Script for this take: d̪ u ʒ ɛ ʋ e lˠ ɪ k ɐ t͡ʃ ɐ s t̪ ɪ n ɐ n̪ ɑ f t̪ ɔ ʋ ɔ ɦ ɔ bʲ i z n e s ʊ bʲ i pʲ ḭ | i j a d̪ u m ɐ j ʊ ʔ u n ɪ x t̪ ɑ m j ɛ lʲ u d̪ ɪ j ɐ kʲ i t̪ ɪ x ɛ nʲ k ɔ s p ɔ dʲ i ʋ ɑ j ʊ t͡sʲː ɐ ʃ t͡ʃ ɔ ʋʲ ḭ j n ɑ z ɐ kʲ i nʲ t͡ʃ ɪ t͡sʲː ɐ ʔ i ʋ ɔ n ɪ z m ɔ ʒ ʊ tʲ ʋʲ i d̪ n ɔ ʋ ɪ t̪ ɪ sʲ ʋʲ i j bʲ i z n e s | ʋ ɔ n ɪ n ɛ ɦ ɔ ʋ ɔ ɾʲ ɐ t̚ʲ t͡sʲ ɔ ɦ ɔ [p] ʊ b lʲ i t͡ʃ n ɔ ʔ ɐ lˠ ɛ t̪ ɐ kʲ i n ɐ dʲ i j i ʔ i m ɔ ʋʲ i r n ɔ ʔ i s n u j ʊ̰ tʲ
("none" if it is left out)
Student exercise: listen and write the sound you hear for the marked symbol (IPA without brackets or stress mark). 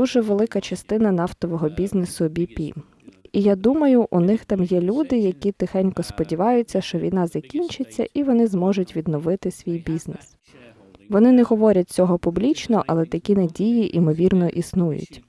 p